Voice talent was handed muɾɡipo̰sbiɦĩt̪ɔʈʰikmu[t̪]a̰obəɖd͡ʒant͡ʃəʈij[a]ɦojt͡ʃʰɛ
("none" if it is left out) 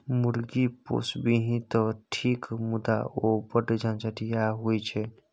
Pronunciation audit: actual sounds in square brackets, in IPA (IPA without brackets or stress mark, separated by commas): d̪, a